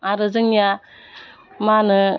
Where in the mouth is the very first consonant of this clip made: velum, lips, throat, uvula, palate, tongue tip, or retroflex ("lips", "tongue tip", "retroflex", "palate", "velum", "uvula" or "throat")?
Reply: tongue tip